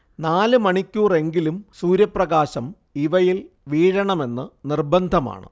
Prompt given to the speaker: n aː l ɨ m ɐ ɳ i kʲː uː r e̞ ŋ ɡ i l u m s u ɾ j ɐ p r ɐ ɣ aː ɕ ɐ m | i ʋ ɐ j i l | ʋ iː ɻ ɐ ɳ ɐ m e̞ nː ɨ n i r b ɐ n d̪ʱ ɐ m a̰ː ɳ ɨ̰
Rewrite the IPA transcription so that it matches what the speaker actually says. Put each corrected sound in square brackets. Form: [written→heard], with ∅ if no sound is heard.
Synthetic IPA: n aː l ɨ m ɐ ɳ i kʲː uː r e̞ ŋ ɡ i l u m s [u→uː] ɾ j ɐ p r ɐ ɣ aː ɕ ɐ m | i ʋ ɐ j i l | ʋ iː ɻ ɐ ɳ ɐ m e̞ nː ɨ n i r b ɐ n d̪ʱ ɐ m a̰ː ɳ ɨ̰